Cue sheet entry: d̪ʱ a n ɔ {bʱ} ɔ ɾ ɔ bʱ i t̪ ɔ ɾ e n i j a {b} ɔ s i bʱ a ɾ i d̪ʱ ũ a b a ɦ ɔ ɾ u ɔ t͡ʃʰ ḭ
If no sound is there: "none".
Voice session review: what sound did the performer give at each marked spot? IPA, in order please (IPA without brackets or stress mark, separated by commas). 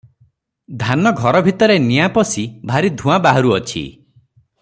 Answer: ɡʱ, p